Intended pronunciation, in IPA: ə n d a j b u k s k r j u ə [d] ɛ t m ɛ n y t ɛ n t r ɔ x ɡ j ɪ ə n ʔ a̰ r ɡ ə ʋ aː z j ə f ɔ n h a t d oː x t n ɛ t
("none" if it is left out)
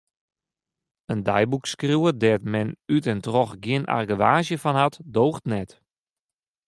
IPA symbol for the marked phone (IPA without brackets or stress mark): d